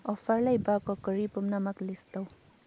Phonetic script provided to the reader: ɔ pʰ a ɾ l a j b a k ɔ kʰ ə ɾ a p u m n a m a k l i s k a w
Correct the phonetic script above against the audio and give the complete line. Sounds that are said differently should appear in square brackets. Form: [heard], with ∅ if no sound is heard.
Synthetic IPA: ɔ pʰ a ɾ l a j b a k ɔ [k] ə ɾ [i] p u m n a m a k l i s [t] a w